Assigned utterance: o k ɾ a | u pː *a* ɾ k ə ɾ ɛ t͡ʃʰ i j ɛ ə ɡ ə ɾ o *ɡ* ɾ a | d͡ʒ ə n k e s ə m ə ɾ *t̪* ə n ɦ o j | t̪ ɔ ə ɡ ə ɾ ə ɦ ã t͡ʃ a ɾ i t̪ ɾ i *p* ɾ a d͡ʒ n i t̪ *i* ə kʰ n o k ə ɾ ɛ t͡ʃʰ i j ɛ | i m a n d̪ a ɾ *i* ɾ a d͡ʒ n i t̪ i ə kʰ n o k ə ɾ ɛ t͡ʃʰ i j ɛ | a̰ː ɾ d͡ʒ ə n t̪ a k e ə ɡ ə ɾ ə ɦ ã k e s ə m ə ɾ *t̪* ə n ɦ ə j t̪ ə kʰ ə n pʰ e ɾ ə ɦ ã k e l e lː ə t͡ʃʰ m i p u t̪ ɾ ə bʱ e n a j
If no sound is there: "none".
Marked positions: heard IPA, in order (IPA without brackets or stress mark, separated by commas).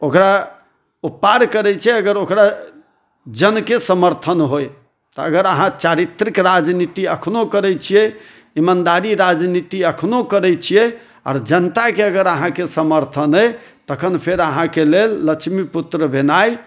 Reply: a, k, t̪ʰ, k, i, i, t̪ʰ